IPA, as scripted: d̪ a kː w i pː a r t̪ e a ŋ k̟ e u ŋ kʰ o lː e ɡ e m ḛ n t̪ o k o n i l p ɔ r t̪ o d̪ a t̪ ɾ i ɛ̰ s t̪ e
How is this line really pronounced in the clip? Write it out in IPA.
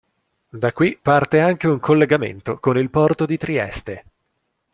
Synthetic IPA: d̪ a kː w i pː a r t̪ e a ŋ k̟ e u ŋ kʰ o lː e ɡ a m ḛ n t̪ o k o n i l p ɔ r t̪ o d̪ i t̪ ɾ i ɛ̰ s t̪ e